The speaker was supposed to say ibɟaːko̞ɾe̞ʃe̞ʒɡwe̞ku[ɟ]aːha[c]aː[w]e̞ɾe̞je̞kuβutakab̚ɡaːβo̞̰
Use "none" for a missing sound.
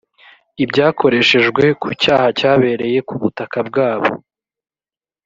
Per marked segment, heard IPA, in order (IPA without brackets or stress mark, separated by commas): c, c, β